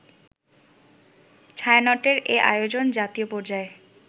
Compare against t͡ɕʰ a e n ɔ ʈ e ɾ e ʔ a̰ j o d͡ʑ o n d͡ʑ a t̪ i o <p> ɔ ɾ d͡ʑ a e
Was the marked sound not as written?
no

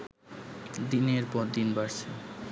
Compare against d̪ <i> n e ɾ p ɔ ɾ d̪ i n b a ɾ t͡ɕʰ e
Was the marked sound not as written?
no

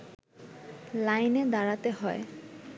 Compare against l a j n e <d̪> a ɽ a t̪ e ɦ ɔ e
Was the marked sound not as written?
no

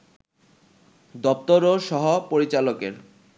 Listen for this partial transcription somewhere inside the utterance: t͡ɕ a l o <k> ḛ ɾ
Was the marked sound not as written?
no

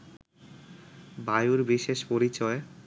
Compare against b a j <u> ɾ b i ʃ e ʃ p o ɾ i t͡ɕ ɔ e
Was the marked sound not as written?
no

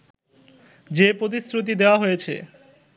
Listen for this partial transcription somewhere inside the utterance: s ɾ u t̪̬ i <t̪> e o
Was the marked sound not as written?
yes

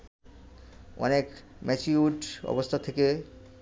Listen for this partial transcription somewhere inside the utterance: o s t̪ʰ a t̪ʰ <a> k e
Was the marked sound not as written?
yes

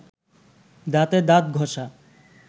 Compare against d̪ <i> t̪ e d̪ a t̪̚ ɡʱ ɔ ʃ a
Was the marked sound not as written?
yes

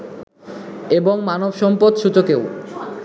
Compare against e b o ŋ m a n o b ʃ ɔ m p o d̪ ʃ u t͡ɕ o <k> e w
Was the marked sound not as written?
no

